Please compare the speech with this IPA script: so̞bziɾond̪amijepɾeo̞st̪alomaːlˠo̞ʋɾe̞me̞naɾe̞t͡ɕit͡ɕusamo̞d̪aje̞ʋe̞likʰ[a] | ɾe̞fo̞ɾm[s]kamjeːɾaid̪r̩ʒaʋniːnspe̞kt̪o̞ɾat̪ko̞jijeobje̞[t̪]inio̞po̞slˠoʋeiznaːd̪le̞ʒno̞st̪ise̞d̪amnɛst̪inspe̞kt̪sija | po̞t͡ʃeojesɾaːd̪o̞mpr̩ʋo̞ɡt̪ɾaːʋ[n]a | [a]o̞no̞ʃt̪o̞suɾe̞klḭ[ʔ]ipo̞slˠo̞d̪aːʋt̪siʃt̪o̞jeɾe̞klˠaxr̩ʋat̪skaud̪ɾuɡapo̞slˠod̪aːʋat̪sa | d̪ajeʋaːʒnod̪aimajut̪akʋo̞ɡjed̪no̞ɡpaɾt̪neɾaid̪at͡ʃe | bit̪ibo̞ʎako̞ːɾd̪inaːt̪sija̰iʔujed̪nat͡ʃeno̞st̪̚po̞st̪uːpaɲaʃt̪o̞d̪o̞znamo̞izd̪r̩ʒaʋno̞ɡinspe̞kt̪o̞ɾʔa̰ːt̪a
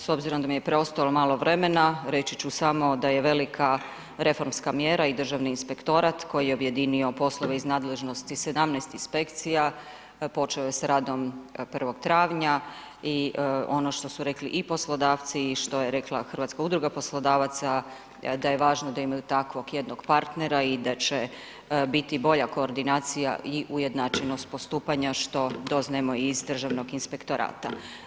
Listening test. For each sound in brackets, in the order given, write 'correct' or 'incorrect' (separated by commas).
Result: correct, correct, incorrect, incorrect, incorrect, correct